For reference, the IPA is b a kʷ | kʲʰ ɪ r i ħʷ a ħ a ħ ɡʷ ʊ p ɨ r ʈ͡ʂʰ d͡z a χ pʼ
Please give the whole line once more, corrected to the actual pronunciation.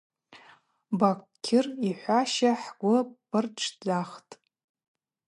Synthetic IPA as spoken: b a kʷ | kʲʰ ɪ r i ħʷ a ʃ a ħ ɡʷ ʊ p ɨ r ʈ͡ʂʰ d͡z a χ tʼ